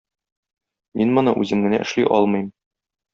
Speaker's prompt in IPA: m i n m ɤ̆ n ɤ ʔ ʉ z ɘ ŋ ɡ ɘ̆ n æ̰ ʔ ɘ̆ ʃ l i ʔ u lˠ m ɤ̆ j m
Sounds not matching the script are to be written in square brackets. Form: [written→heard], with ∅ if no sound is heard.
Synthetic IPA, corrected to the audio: m i n m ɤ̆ n ɤ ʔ ʉ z ɘ [ŋ→m] ɡ ɘ̆ n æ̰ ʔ ɘ̆ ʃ l i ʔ [u→ɒ] lˠ m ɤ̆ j m